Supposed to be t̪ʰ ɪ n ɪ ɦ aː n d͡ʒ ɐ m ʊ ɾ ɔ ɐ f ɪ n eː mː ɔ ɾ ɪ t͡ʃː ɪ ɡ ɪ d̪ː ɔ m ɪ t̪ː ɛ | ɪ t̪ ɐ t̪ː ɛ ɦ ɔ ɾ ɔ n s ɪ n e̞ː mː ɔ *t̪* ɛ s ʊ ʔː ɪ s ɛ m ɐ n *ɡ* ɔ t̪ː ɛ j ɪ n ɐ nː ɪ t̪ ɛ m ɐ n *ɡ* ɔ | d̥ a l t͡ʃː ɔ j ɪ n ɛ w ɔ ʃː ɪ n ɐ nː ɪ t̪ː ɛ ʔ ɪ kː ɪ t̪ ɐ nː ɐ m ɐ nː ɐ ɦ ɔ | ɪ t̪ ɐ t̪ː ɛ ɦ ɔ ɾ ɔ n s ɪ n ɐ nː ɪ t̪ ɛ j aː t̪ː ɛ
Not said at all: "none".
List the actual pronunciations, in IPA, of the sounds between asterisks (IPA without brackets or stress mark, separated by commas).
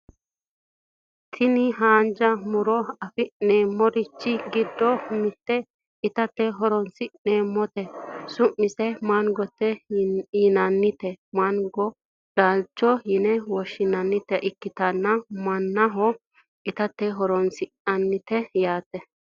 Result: t̪, ɡ, ɡ